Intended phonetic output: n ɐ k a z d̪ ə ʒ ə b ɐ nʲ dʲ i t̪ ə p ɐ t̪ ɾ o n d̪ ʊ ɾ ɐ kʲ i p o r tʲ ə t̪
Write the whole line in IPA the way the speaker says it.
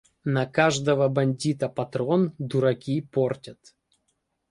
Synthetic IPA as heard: n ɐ k a ʐ d̪ ə v ə b ɐ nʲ dʲ i t̪ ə p ɐ t̪ ɾ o n d̪ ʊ ɾ ɐ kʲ i p o r tʲ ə t̪